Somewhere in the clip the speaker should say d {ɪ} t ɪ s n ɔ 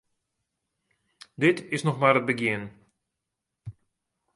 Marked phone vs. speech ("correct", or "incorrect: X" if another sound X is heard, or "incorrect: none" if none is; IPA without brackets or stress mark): correct